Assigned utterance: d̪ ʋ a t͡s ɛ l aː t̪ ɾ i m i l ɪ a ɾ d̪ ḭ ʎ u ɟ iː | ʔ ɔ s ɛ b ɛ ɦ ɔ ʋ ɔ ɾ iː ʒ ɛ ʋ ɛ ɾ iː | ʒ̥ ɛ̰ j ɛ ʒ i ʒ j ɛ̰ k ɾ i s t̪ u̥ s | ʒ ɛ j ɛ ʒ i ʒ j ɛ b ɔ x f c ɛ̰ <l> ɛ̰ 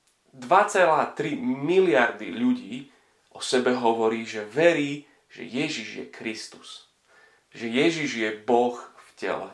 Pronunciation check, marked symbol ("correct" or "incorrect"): correct